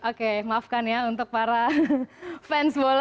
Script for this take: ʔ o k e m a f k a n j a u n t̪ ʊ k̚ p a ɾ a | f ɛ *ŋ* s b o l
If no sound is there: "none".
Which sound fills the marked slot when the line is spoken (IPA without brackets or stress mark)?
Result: n